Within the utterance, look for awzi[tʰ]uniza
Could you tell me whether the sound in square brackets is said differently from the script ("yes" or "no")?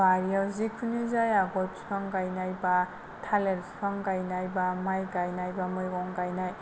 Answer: yes